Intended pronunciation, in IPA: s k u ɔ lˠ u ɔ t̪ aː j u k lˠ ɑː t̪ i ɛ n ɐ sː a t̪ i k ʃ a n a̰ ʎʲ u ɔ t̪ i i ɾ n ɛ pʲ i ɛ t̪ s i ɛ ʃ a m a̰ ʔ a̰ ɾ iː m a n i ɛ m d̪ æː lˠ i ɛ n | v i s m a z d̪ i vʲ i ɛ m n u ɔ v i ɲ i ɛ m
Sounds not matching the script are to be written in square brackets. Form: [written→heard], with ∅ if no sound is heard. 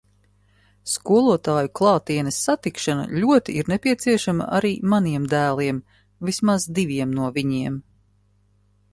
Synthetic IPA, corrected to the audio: s k u ɔ lˠ u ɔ t̪ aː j u k lˠ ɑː t̪ i ɛ n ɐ sː a t̪ i k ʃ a n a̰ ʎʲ u ɔ t̪ i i ɾ n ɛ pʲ i ɛ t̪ s i ɛ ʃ a m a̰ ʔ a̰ ɾ iː m a n i ɛ m d̪ æː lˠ i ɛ [n→m] | v i s m a z d̪ i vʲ i ɛ m n u ɔ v i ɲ i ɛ m